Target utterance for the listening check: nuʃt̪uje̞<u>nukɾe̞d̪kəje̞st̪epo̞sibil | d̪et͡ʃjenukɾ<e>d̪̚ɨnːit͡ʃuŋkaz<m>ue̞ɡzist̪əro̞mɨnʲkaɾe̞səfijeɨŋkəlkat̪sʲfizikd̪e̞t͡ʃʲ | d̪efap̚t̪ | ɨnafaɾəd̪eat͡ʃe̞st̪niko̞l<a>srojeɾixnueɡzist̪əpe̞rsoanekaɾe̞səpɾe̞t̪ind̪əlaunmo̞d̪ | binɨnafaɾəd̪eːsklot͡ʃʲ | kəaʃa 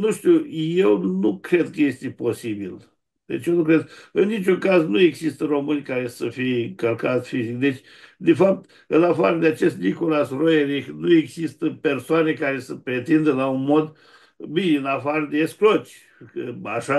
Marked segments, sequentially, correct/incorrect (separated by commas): incorrect, correct, incorrect, correct